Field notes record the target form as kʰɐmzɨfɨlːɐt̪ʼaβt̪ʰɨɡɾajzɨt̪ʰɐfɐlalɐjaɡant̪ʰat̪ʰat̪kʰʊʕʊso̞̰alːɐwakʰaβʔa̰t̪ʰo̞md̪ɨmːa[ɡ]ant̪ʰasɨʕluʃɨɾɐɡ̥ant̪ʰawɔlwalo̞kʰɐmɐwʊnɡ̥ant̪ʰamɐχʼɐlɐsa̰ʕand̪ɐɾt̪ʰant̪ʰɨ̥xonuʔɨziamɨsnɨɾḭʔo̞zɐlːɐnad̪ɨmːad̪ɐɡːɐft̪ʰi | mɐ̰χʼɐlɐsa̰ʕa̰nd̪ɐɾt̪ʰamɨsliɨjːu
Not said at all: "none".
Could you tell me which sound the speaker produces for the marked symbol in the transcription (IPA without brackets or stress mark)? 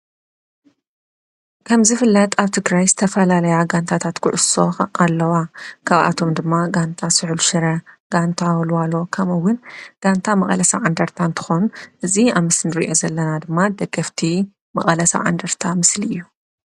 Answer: ɡ